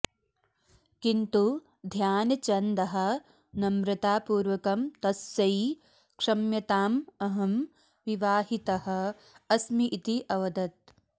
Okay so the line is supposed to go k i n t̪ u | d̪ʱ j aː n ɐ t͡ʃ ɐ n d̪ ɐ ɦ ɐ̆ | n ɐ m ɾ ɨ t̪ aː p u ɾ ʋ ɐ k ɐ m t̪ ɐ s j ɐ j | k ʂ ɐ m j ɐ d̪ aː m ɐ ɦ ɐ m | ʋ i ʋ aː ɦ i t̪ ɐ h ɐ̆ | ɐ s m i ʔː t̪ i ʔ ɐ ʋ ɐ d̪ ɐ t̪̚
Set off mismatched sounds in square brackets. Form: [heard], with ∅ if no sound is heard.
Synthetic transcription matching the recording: k i n t̪ u | d̪ʱ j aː n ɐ t͡ʃ ɐ n d̪ ɐ ɦ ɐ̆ | n ɐ m ɾ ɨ t̪ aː p [uː] ɾ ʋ ɐ k ɐ m t̪ ɐ s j ɐ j | k ʂ ɐ m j ɐ [t̪] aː m ɐ ɦ ɐ m | ʋ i ʋ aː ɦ i t̪ ɐ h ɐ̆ | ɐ s m i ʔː t̪ i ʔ ɐ ʋ ɐ d̪ ɐ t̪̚